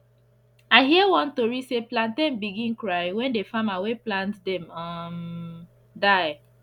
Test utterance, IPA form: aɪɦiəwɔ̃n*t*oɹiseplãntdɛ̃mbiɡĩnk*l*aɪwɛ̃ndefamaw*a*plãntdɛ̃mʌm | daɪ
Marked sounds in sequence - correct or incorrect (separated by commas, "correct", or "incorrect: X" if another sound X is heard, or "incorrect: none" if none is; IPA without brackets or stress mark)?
correct, incorrect: ɹ, incorrect: e